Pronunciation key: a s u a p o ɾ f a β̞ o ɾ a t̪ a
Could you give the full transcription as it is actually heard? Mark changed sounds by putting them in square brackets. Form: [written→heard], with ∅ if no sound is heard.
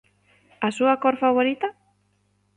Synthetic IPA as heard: a s u a [p→k] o ɾ f a β̞ o ɾ [a→i] t̪ a